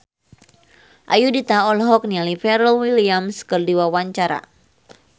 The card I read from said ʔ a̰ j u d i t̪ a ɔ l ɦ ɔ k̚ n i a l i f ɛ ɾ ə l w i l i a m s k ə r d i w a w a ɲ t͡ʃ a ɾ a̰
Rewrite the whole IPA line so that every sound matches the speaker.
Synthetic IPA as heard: ʔ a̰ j u d i t̪ a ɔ l ɦ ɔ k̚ n i a l i f ɛ ɾ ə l w i l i a m s k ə r d i w a w a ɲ t͡ʃ a ɾ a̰